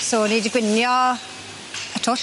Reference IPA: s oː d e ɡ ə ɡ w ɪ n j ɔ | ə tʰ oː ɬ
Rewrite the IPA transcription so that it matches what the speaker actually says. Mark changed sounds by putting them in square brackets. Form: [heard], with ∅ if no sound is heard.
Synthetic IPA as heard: s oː [n] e [d] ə ɡ w ɪ n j ɔ | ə tʰ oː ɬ